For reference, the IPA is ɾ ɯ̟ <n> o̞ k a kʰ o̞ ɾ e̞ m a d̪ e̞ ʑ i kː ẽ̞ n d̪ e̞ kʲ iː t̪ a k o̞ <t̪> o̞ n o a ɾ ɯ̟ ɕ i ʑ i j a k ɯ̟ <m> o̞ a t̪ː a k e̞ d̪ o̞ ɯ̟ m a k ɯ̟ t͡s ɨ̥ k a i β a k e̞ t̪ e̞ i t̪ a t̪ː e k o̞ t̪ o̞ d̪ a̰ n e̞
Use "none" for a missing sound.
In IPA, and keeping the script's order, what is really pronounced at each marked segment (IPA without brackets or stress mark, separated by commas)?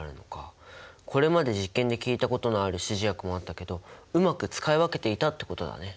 n, t̪, m